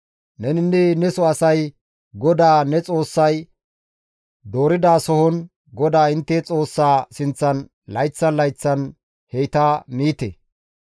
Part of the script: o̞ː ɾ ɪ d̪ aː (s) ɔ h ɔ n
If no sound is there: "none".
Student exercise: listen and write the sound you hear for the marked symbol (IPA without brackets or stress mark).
s